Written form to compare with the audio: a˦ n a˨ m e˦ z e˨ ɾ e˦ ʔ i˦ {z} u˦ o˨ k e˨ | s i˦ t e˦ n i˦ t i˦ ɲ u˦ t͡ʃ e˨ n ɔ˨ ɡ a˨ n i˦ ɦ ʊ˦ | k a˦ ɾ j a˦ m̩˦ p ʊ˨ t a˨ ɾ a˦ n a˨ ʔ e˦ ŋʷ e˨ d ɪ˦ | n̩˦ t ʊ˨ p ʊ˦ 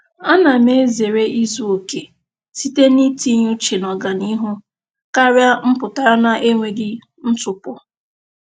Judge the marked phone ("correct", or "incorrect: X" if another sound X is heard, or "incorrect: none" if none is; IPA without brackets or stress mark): correct